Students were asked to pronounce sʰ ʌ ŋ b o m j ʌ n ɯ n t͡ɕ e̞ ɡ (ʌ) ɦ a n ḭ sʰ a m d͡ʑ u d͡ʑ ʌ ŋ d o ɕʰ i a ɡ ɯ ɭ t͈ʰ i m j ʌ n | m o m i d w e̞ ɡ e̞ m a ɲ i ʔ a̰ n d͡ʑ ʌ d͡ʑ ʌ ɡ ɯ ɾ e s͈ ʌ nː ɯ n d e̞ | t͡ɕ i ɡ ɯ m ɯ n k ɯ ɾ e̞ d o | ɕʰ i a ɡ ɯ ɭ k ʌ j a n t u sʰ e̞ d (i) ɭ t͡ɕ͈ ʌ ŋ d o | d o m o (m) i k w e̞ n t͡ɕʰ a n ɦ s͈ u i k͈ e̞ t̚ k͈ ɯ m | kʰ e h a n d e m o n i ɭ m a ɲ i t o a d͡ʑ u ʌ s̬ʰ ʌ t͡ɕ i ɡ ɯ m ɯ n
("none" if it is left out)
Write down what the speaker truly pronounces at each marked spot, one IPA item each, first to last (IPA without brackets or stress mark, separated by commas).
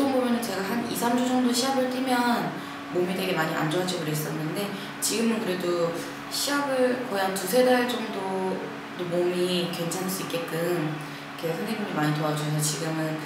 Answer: a, a, m